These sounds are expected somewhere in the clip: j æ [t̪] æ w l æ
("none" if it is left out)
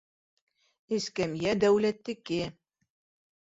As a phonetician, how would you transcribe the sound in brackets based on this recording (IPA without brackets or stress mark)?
d̪